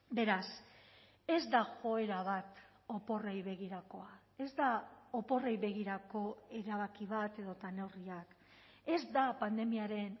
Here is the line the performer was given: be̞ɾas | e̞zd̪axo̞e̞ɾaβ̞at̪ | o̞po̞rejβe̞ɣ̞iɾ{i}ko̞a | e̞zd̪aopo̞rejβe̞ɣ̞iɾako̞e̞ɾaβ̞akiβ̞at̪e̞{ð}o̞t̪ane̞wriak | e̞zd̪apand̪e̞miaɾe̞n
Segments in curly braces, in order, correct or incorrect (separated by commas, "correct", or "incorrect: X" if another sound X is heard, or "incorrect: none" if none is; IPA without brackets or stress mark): incorrect: a, correct